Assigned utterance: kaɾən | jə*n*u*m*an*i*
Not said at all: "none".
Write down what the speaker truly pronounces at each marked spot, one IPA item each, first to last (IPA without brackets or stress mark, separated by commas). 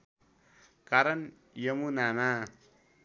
m, n, a